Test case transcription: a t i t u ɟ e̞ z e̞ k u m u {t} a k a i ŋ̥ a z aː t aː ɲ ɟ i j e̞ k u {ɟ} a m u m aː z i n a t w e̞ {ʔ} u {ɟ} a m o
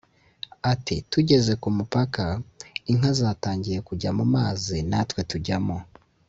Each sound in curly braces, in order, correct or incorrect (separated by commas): incorrect, correct, incorrect, correct